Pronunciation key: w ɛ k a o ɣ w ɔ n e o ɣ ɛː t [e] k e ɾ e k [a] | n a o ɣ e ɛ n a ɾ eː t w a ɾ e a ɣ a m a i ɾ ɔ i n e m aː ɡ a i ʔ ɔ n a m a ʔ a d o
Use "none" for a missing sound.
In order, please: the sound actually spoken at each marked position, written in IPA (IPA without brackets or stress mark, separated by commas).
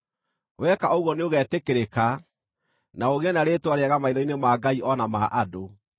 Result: e, a